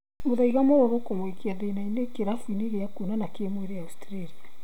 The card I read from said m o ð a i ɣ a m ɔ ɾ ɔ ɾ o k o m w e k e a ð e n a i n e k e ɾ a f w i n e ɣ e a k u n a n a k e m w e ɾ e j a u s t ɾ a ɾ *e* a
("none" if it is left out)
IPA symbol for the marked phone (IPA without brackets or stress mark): i